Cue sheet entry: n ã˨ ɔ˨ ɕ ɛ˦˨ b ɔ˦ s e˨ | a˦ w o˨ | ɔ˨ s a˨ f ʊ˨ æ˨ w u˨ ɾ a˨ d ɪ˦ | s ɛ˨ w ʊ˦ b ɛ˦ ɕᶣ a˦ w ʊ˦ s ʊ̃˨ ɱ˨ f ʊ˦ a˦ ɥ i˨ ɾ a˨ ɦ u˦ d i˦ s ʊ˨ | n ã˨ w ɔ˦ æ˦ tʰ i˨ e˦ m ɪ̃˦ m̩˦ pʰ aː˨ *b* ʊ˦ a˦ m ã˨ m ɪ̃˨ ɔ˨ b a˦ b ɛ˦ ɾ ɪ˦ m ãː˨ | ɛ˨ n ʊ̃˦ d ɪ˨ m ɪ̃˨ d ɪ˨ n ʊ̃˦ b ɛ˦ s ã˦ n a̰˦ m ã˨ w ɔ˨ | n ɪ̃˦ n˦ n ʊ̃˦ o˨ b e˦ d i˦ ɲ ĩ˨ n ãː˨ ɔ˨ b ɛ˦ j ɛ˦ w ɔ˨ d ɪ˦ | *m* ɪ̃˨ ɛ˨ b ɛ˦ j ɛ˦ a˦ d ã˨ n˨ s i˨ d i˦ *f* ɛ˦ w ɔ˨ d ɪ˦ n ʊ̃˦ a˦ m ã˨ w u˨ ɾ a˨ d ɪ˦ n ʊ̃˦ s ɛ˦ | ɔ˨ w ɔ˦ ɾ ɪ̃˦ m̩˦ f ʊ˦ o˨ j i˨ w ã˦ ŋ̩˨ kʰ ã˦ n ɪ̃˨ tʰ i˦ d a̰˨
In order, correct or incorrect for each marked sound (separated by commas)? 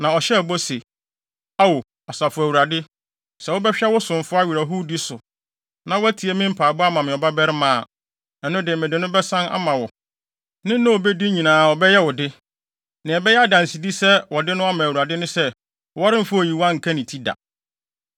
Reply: correct, incorrect, incorrect